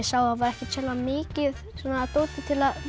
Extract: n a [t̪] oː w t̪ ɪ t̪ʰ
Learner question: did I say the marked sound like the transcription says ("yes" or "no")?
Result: yes